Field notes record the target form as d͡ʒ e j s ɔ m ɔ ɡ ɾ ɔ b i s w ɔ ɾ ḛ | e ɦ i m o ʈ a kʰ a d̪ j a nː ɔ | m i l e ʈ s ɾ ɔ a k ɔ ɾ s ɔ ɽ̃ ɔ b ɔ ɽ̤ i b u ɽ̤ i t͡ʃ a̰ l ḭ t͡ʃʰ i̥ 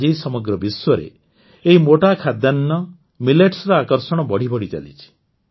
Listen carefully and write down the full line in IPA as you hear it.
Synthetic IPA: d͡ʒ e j s ɔ m ɔ ɡ ɾ ɔ b i s w ɔ ɾ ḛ | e ɦ i m o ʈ a kʰ a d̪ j a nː ɔ | m i l e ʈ s ɾ ɔ a k ɔ ɾ s ɔ ɽ̃ ɔ b ɔ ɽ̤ i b ɔ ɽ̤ i t͡ʃ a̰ l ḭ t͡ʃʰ i̥